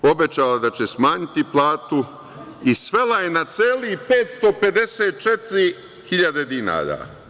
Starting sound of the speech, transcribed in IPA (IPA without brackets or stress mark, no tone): o̞